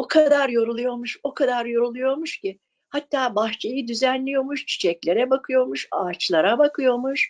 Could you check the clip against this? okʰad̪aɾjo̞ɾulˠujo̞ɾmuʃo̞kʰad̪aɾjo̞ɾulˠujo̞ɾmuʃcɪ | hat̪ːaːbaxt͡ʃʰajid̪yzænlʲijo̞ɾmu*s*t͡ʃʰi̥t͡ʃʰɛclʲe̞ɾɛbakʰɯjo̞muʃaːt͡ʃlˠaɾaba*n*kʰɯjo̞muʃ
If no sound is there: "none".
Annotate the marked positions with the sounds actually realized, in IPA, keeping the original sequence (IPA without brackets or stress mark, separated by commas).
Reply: ʃ, none